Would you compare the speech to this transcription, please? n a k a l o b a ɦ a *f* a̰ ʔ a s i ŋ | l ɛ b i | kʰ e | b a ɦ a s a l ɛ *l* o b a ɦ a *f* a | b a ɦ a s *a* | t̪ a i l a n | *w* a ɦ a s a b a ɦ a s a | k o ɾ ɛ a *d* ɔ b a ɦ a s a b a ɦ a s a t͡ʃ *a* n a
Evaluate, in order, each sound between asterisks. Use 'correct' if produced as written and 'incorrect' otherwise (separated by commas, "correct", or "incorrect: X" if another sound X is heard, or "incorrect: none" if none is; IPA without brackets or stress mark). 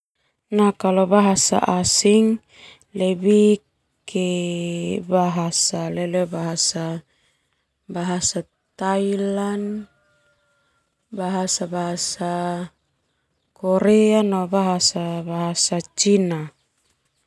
incorrect: s, correct, incorrect: s, correct, incorrect: b, incorrect: n, incorrect: i